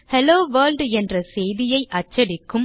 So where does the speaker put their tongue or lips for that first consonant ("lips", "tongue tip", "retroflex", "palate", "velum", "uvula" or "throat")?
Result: throat